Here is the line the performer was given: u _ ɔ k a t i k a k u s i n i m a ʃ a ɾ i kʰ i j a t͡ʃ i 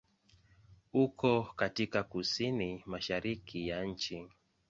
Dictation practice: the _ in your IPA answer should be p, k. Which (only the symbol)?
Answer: k